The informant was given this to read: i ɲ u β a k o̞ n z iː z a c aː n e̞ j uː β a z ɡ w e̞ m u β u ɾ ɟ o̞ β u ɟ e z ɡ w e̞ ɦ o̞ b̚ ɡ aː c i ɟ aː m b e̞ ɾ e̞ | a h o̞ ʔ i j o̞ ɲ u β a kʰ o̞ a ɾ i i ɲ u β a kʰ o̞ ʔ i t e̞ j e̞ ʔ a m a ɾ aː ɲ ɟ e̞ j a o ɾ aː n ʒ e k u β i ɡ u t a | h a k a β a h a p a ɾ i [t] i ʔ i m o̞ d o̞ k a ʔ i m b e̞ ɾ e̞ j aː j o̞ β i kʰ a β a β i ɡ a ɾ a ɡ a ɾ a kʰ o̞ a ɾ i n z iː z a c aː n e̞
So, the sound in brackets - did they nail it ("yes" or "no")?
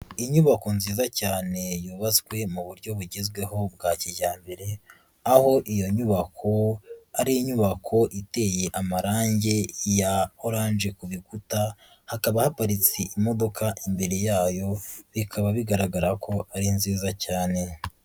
no